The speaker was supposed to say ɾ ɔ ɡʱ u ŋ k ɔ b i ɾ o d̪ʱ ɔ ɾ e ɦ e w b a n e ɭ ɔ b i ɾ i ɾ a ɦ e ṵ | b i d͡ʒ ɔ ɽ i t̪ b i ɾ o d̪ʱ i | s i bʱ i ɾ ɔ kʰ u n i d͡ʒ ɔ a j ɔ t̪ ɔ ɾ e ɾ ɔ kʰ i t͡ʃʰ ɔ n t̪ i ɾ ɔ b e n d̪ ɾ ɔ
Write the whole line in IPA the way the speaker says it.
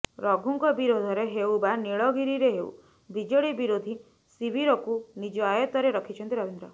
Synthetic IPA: ɾ ɔ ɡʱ u ŋ k ɔ b i ɾ o d̪ʱ ɔ ɾ e ɦ e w b a n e ɭ ɔ ɡ i ɾ i ɾ e ɦ e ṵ | b i d͡ʒ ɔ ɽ i b i ɾ o d̪ʱ i | s i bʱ i ɾ ɔ k u n i d͡ʒ ɔ a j ɔ t̪ ɔ ɾ e ɾ ɔ kʰ i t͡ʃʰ ɔ n t̪ i ɾ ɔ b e n d̪ ɾ ɔ